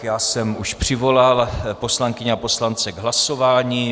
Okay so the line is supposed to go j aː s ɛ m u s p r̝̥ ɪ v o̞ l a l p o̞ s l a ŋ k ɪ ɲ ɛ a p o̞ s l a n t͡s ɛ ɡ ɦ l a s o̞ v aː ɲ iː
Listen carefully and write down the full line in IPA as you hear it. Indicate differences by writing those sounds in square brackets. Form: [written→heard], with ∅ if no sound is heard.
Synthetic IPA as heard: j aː s ɛ m u [s→ʃ] p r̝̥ ɪ v o̞ l a l p o̞ s l a ŋ k ɪ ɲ ɛ a p o̞ s l a n t͡s ɛ ɡ ɦ l a s o̞ v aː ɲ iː